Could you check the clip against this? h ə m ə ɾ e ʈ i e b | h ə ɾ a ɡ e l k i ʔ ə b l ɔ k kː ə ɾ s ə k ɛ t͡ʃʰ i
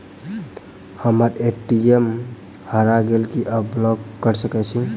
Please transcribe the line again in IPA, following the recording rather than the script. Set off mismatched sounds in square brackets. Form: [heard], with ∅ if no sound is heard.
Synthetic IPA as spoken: h ə m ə ɾ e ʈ i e [m] | h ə ɾ a ɡ e l k i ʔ ə b l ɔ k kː ə ɾ s ə k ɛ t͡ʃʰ i